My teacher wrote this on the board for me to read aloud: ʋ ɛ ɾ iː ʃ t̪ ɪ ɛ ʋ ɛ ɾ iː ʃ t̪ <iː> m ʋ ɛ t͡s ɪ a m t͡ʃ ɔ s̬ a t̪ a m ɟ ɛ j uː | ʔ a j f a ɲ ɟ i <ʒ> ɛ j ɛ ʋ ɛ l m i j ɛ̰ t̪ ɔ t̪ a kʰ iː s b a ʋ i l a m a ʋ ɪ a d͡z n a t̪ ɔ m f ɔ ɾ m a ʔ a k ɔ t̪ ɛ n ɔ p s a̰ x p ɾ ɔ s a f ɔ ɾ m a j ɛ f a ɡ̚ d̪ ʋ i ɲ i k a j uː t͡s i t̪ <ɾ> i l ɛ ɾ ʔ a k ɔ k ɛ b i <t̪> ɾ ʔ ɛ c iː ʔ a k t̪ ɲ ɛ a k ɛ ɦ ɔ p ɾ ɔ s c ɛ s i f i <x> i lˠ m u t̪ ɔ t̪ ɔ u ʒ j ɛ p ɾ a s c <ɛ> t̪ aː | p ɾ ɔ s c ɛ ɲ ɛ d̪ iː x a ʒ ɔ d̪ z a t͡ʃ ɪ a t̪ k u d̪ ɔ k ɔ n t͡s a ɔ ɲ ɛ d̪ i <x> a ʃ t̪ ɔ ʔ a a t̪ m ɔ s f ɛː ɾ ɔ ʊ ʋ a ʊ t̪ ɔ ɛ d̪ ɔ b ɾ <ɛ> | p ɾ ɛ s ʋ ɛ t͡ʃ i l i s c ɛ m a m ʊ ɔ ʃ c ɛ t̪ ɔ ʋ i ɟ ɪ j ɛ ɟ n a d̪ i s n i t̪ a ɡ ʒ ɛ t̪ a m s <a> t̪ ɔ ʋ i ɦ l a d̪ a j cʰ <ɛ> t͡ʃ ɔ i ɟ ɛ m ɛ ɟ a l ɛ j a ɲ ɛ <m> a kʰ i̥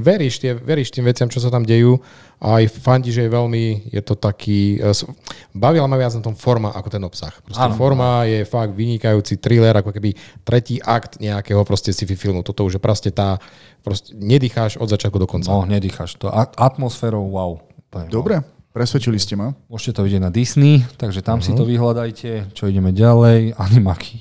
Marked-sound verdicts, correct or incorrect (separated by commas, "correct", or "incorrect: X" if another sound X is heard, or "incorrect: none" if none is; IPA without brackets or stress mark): correct, correct, correct, correct, incorrect: f, correct, correct, correct, incorrect: i, correct, correct